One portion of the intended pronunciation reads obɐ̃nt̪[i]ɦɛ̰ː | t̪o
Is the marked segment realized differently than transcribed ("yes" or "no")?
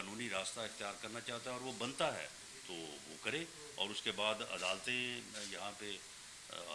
yes